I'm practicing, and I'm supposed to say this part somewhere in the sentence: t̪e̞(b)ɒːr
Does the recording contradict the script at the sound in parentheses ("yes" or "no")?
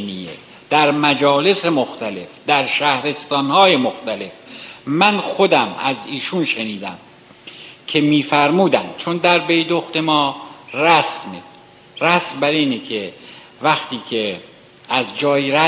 yes